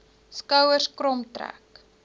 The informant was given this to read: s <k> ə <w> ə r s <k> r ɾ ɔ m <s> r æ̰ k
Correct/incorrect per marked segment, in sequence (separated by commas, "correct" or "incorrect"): correct, correct, correct, incorrect